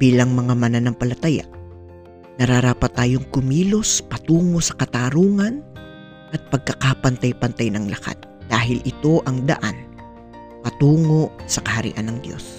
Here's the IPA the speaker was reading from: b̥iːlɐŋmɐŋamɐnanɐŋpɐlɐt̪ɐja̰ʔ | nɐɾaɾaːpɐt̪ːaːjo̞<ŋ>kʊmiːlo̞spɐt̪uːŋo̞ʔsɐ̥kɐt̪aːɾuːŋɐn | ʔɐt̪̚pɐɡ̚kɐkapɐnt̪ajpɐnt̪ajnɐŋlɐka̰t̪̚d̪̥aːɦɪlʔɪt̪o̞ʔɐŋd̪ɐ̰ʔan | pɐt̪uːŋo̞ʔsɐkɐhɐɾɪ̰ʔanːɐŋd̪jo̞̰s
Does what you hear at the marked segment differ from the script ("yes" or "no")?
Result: no